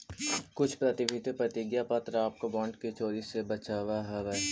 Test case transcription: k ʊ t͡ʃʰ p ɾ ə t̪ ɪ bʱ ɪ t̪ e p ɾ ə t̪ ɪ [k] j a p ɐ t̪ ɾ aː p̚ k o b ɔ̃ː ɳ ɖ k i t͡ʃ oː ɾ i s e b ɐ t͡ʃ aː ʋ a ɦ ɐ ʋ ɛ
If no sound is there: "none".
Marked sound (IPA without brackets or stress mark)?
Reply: ɡ